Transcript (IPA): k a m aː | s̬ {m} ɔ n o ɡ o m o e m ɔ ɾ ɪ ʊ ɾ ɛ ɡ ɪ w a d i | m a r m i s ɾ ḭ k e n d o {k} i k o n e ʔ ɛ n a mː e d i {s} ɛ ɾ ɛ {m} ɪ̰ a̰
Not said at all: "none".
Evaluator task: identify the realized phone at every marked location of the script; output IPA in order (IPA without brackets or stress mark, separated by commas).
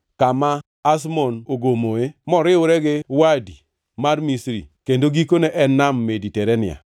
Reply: m, ɡ, t, n